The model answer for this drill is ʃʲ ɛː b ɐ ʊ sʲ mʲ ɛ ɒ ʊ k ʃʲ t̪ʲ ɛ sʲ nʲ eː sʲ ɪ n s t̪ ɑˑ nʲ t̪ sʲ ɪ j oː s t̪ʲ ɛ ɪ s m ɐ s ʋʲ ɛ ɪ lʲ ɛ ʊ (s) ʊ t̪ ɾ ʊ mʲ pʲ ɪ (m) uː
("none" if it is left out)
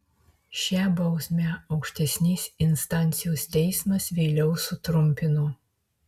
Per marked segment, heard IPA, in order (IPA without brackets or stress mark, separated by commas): s, n